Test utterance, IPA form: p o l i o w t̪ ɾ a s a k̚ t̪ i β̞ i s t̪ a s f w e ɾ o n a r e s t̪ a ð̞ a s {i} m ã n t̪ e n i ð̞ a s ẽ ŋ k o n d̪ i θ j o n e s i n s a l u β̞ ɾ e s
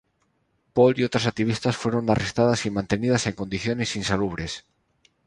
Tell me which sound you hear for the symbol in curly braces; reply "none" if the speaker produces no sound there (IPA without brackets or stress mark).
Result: i